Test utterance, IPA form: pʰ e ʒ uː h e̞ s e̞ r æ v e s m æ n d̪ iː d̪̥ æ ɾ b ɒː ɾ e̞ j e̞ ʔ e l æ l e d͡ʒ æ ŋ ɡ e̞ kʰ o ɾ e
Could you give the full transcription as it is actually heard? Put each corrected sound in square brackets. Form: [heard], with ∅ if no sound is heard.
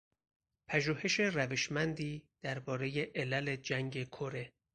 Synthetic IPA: pʰ [æ] ʒ uː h e̞ [ʃ] e̞ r æ v e [ʃ] m æ n d̪ iː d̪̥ æ ɾ b ɒː ɾ e̞ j e̞ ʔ e l æ l e d͡ʒ æ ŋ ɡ e̞ kʰ o ɾ e